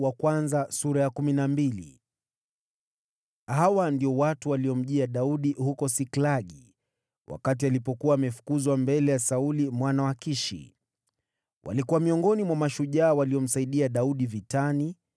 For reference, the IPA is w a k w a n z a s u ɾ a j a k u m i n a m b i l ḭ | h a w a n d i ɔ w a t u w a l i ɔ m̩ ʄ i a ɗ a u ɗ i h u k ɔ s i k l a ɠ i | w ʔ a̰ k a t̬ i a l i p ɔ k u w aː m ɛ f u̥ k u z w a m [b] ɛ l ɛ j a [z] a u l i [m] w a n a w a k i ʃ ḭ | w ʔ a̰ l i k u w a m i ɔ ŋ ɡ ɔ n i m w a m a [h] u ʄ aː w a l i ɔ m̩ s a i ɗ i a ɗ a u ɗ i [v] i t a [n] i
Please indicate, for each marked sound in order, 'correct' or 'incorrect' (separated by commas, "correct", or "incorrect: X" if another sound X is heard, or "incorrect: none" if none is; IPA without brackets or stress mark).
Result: correct, incorrect: s, correct, incorrect: ʃ, correct, correct